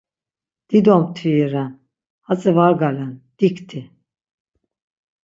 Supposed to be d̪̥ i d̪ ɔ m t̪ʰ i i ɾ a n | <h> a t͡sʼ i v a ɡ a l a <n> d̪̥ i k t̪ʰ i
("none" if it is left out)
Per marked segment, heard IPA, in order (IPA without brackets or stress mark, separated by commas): h, n